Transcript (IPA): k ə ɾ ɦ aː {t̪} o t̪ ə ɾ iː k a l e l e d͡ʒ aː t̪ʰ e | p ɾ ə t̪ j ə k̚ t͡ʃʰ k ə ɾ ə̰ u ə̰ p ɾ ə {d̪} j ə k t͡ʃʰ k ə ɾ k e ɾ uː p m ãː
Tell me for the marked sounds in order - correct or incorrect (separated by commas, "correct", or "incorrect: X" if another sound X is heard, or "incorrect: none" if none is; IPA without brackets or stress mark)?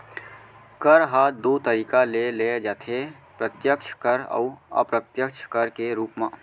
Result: incorrect: d̪, incorrect: t̪